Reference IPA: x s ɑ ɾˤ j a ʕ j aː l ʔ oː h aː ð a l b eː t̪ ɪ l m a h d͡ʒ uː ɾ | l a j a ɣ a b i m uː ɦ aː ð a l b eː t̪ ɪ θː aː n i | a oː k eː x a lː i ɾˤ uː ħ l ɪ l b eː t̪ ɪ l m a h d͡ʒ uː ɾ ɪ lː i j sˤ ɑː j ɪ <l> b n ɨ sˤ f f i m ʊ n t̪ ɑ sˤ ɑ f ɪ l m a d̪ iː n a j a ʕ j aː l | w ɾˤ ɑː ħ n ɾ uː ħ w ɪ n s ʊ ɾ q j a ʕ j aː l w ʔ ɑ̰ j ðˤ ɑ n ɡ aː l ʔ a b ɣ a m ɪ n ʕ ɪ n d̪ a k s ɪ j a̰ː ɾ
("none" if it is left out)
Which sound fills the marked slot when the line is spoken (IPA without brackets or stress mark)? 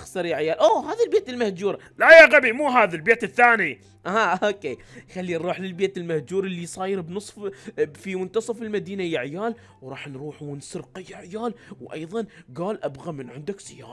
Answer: ɾ